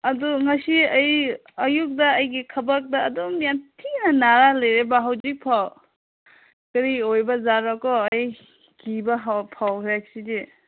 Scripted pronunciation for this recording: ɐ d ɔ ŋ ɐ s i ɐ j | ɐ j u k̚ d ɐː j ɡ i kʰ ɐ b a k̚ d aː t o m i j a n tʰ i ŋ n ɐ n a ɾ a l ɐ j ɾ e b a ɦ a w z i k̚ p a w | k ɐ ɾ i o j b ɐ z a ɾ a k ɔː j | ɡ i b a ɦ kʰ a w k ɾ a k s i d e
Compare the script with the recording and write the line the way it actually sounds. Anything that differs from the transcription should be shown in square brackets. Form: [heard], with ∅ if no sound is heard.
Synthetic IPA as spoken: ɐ d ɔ ŋ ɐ s i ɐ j | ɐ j u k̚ d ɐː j ɡ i kʰ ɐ b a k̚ d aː [d] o m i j a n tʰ i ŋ n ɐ n a ɾ a l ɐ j ɾ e b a ɦ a w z i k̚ [pʰ] a w | k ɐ ɾ i o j b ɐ z a ɾ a k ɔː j | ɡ i b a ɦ [pʰ] a w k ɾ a k s i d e